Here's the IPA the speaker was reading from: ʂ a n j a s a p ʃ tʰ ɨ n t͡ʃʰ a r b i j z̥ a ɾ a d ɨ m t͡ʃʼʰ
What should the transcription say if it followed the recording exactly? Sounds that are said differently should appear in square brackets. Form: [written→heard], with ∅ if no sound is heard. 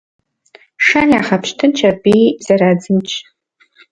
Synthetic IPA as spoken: ʂ a n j a [s→χ] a p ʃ tʰ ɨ n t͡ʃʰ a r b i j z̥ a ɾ a [d→d͡z] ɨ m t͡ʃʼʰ